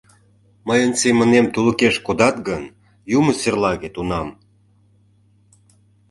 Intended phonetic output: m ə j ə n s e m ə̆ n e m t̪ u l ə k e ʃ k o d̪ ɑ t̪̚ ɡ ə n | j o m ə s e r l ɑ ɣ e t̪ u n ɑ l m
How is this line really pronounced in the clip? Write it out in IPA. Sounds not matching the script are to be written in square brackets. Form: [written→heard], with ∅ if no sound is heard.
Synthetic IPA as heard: m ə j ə n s e m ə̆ n e m t̪ u l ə k e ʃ k o d̪ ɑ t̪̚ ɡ ə n | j [o→u] m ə s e r l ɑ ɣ e t̪ u n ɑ [l→∅] m